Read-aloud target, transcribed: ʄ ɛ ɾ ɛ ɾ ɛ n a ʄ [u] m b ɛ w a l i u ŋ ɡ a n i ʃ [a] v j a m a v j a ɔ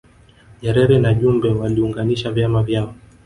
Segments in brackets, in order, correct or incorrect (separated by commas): correct, correct